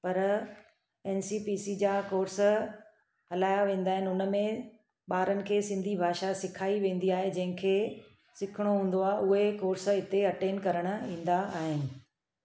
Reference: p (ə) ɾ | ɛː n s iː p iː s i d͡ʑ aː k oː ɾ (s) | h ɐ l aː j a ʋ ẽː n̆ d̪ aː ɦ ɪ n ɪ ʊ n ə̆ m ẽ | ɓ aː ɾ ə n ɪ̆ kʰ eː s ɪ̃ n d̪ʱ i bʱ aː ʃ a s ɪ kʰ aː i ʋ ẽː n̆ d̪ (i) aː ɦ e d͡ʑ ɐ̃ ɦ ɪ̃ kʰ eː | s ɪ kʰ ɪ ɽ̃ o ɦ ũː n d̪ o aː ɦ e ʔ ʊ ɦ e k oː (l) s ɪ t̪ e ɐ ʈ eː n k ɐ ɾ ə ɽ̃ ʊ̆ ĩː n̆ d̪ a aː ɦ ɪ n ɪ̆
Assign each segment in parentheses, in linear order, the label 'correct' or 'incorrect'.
incorrect, correct, correct, incorrect

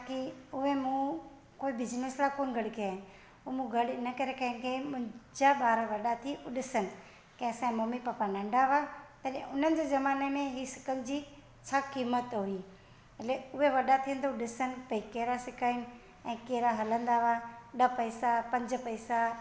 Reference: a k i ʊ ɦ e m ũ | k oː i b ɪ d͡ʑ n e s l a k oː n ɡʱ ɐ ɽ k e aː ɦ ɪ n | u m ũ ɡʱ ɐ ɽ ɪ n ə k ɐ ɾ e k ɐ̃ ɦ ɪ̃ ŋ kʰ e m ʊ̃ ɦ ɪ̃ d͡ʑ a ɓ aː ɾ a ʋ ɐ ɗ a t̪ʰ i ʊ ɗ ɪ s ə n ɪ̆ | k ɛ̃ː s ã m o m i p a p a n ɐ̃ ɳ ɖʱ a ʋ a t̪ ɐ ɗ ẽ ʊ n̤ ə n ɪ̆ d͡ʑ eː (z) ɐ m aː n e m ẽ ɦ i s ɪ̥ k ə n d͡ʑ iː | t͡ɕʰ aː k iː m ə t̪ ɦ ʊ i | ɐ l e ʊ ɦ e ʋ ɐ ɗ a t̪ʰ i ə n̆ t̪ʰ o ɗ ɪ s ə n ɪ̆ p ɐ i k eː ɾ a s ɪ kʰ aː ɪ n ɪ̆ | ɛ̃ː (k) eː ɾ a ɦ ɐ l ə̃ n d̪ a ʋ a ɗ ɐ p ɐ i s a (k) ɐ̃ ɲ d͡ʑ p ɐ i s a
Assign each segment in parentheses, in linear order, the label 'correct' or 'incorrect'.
correct, correct, incorrect

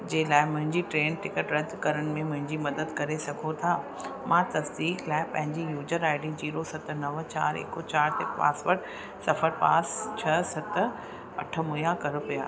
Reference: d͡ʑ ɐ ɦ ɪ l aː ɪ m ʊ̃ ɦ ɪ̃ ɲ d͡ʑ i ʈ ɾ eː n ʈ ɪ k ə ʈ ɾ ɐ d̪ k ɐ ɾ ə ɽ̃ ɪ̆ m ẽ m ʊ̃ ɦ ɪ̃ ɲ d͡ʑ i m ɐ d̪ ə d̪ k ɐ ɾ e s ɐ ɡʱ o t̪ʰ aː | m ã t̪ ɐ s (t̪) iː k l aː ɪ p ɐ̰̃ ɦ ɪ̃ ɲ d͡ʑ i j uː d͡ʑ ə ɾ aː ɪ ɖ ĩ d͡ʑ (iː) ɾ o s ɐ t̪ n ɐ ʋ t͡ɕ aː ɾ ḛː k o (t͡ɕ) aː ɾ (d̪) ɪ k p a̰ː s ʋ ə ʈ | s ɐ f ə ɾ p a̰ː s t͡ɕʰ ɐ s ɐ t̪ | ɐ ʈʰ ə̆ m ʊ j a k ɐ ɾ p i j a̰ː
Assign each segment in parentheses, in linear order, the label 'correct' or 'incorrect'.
incorrect, correct, correct, incorrect

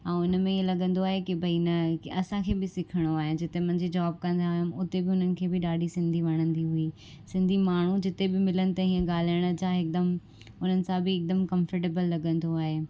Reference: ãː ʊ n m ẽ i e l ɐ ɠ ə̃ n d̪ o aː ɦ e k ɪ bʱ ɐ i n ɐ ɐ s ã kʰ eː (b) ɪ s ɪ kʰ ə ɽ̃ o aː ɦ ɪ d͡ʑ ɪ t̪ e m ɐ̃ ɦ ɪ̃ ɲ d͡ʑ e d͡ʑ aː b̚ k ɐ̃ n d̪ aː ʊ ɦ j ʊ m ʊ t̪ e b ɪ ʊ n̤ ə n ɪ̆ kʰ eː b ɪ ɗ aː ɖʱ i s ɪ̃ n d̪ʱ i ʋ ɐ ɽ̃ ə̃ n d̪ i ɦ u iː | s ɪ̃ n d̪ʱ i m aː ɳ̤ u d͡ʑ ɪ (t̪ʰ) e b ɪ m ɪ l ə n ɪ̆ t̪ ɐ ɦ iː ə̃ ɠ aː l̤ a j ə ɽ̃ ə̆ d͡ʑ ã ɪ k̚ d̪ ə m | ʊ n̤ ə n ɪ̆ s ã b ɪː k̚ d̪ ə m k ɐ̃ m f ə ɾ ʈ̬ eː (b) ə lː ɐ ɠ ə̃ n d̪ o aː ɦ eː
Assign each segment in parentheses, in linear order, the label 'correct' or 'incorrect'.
correct, incorrect, correct

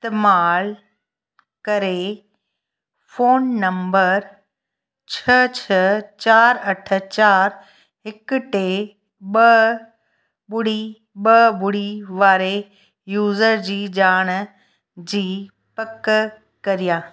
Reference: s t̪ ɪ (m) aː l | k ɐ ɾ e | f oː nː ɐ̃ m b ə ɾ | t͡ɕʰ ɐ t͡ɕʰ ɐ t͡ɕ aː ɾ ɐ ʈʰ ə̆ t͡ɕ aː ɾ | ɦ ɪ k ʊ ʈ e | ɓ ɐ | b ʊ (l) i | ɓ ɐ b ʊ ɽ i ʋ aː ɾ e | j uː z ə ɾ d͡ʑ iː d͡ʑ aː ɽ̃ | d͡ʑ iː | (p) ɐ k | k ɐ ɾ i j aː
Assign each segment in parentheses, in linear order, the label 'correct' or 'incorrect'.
correct, incorrect, correct

